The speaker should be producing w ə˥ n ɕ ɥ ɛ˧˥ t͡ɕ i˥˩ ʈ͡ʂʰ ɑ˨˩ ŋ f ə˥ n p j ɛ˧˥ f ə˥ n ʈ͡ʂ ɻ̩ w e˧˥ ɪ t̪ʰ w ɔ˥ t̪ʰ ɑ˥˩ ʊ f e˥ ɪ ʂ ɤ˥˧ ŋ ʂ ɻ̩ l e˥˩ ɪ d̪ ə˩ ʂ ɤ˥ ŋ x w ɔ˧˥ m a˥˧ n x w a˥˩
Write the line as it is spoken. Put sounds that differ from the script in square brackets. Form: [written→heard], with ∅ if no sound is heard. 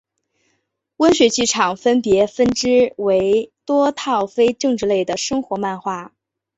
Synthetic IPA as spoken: w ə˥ n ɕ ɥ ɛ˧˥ t͡ɕ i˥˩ ʈ͡ʂʰ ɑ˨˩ ŋ f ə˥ n p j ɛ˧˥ f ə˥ n ʈ͡ʂ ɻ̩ w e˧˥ ɪ [t̪ʰ→t̪] w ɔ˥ t̪ʰ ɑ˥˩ ʊ f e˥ ɪ [ʂ→ʈ͡ʂ] ɤ˥˧ ŋ [ʂ→ʈ͡ʂ] ɻ̩ l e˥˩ ɪ d̪ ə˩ ʂ ɤ˥ ŋ x w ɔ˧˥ m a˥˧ n x w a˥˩